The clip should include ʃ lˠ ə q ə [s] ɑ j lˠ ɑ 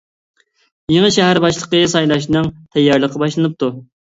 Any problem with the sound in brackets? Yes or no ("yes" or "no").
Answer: no